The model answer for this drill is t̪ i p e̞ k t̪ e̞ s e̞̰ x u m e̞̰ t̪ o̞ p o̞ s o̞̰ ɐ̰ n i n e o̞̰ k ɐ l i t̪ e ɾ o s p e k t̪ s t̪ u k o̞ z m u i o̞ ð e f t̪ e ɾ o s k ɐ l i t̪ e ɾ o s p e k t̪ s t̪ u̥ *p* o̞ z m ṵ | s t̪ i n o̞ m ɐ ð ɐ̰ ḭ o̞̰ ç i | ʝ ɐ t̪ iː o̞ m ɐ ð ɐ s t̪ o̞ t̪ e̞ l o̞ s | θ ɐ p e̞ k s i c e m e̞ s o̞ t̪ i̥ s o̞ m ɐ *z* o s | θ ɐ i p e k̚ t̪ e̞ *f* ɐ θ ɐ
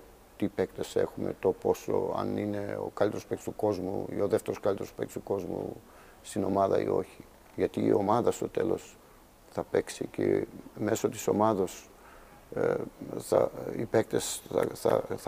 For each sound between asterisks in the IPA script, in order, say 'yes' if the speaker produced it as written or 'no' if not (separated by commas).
no, no, no